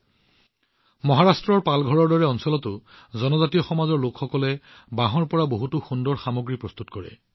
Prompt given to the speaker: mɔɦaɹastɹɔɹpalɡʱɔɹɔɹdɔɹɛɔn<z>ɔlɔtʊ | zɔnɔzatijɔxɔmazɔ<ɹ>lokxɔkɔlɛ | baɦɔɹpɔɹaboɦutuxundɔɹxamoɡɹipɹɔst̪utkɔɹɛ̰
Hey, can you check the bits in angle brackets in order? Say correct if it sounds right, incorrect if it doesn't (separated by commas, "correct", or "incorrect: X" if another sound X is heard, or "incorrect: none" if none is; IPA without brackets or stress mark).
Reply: incorrect: s, correct